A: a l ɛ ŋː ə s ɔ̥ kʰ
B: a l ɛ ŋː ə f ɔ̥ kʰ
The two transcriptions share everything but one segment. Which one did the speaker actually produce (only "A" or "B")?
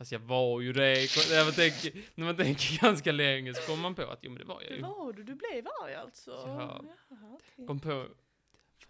A